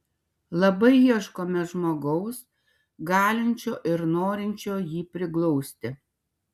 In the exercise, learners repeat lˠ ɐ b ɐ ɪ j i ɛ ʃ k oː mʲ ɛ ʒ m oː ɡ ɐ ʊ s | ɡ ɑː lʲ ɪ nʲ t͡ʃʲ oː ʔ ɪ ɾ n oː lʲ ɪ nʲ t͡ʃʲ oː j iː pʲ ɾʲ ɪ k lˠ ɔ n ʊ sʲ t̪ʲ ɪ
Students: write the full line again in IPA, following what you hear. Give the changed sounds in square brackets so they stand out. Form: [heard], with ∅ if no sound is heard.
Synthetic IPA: lˠ ɐ b ɐ ɪ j i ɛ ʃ k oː mʲ ɛ ʒ m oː ɡ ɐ ʊ s | ɡ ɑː lʲ ɪ nʲ t͡ʃʲ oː ʔ ɪ ɾ n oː [ɾʲ] ɪ nʲ t͡ʃʲ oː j iː pʲ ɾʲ ɪ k lˠ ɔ [∅] ʊ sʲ t̪ʲ ɪ